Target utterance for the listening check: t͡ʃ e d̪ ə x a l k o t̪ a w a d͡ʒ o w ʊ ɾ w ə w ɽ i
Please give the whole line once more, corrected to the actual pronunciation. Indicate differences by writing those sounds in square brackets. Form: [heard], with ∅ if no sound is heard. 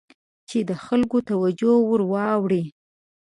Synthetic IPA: t͡ʃ e d̪ ə x a l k o t̪ a w a d͡ʒ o w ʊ ɾ w [ɑ] w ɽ i

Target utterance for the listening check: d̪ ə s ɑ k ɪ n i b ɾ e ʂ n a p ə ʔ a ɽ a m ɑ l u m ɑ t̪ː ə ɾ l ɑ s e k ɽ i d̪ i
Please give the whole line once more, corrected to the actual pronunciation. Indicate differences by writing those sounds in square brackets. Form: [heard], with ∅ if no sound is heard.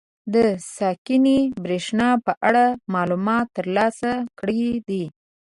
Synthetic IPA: d̪ ə s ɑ k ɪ n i b ɾ e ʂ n [ɑ] p ə ʔ a ɽ a m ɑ l u m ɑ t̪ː ə ɾ l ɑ s [a] k ɽ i d̪ i

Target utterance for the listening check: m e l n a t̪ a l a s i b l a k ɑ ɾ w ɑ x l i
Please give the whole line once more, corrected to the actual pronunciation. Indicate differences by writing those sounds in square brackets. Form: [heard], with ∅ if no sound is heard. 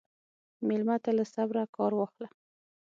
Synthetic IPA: m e l [m] a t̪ a l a s [a] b [ɾ] a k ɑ ɾ w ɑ x l [a]

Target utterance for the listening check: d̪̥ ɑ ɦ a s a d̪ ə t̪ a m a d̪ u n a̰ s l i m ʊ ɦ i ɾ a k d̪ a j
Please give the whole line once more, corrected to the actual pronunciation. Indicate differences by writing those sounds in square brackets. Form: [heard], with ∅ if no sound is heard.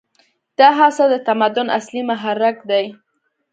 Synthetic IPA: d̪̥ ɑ ɦ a s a d̪ ə t̪ a m a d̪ [ʊ] n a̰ s l i m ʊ ɦ [a] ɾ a k d̪ a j

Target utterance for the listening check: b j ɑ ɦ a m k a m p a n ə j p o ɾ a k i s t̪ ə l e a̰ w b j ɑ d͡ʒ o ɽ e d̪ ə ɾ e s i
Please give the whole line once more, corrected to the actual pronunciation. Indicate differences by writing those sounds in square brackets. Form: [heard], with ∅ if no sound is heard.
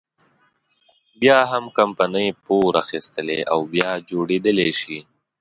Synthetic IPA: b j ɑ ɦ a m k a m p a n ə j p o ɾ a [x] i s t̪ ə l e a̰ w b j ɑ d͡ʒ o ɽ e d̪ ə [l] e [ʃ] i

